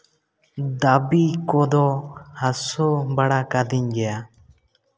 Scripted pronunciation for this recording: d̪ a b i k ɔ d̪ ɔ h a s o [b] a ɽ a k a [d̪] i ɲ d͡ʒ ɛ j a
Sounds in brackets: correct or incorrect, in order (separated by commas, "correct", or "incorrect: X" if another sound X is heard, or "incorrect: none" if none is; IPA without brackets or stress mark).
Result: correct, correct